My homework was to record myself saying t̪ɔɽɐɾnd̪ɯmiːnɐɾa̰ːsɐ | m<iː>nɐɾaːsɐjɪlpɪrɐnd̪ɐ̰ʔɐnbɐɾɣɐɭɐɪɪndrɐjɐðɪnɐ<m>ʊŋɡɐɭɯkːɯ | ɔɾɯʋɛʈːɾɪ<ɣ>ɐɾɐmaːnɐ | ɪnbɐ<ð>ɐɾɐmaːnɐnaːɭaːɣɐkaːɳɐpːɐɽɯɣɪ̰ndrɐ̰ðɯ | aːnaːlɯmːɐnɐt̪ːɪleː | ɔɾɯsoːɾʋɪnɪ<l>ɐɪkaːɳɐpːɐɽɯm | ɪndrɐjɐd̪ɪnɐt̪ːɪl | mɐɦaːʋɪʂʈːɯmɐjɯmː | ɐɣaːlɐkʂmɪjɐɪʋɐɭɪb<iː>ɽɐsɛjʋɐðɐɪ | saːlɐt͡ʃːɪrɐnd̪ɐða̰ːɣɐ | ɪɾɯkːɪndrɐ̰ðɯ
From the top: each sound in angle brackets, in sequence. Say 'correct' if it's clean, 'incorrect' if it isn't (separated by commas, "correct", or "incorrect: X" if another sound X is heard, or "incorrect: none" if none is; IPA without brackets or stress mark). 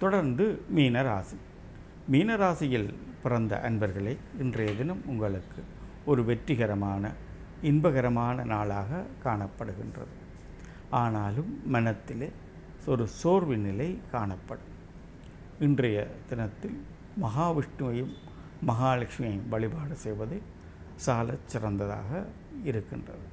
correct, correct, correct, incorrect: ɣ, correct, incorrect: aː